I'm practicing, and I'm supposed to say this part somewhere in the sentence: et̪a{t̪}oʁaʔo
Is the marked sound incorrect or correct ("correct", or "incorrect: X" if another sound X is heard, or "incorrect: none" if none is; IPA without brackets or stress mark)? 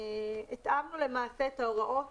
incorrect: none